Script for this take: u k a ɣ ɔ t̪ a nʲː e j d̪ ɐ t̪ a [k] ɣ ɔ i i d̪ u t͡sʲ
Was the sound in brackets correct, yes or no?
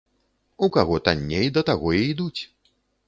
no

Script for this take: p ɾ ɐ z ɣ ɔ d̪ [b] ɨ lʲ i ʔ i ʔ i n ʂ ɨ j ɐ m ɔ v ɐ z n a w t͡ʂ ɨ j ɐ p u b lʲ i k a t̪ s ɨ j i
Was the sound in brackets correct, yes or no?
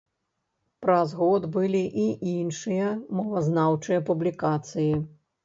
yes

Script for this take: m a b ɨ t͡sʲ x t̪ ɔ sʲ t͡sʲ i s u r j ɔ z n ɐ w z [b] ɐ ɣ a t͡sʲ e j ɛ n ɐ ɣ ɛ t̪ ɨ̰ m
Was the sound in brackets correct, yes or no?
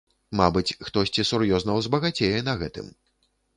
yes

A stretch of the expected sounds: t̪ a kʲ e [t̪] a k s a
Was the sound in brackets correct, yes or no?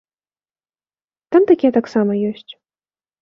yes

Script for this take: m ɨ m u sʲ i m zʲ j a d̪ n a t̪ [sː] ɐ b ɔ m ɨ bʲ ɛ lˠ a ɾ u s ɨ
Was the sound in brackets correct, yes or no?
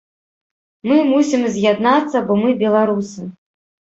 yes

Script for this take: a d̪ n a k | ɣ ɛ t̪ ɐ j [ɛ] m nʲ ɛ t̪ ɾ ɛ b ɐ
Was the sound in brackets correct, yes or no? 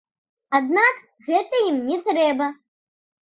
no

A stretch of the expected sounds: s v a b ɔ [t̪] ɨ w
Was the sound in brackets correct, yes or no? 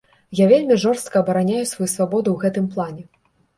no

